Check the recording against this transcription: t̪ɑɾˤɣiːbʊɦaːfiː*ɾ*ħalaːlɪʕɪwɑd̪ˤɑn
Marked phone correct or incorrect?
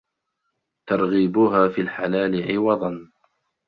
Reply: incorrect